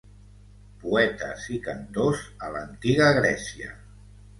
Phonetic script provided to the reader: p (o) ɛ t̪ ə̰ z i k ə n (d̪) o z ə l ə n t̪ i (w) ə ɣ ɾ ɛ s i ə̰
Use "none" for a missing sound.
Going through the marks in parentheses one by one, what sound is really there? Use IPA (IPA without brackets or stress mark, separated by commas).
u, t̪, ɣ